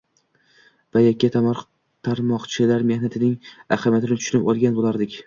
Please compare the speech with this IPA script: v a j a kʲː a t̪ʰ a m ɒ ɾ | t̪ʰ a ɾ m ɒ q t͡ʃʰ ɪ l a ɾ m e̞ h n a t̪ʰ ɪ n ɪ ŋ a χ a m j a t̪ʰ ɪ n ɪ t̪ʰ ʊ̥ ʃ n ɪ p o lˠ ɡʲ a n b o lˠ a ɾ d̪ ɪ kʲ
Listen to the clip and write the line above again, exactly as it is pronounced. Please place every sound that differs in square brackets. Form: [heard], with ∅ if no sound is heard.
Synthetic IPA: v a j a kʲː a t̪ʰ a m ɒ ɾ | t̪ʰ a ɾ m ɒ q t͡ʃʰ ɪ l a ɾ m e̞ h n a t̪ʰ ɪ n ɪ ŋ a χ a m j a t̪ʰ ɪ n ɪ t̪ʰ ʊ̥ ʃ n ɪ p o lˠ ɡʲ a n b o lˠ a ɾ d̪ ɪ kʲ